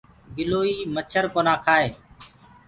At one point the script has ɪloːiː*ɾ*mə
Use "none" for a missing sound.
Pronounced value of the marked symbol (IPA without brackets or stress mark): none